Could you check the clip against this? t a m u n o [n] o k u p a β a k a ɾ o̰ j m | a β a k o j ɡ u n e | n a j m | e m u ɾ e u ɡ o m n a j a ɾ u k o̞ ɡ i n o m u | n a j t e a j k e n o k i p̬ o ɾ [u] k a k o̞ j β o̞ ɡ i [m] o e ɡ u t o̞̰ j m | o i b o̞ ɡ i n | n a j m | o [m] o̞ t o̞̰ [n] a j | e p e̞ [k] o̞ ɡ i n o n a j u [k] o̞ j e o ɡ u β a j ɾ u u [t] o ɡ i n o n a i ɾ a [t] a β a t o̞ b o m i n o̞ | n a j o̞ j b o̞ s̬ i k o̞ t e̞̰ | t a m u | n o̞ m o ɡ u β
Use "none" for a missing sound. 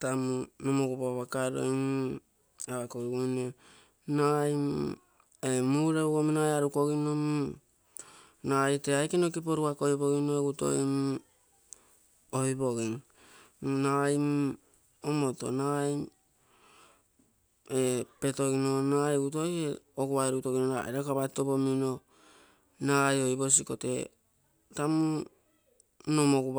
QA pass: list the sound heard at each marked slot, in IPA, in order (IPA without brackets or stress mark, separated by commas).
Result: m, u, n, m, n, t, t, t, k